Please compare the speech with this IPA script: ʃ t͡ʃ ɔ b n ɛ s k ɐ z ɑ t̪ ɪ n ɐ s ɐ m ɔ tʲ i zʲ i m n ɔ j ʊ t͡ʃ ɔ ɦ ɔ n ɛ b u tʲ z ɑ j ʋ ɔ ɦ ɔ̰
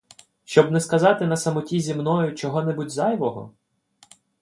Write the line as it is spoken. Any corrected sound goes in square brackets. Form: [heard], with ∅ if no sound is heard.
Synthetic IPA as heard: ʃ t͡ʃ ɔ b n ɛ s k ɐ z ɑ t̪ ɪ n ɐ s ɐ m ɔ tʲ i zʲ i m n ɔ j ʊ t͡ʃ ɔ ɦ ɔ n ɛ b u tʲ z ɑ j ʋ ɔ ɦ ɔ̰